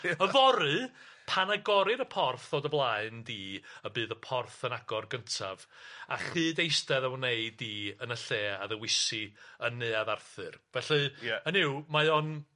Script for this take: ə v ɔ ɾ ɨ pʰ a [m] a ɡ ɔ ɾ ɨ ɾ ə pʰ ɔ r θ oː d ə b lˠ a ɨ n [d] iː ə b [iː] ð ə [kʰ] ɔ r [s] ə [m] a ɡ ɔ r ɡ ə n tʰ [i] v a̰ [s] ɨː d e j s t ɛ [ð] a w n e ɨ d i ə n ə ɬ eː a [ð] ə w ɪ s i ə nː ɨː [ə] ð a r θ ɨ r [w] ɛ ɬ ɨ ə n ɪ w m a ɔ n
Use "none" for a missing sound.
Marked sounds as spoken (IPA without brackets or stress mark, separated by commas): n, d, ɨː, pʰ, θ, n, a, χ, ð, ð, a, v